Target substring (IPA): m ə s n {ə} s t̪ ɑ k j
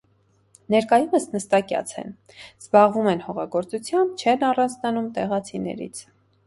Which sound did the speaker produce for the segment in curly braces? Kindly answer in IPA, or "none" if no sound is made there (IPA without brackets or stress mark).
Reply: ə